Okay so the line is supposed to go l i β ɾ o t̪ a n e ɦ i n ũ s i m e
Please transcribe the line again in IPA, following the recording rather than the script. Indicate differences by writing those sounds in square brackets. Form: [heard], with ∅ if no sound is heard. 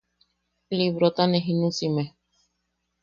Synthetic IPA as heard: l i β ɾ o t̪ a n e ɦ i n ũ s i m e